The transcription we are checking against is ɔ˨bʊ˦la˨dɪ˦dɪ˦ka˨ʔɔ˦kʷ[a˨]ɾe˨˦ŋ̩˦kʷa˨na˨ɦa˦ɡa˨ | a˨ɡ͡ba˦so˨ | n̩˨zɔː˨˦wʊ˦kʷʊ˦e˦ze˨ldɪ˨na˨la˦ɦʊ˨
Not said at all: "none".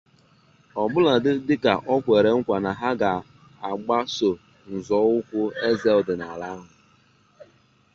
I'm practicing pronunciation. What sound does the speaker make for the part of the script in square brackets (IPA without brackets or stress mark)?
e˨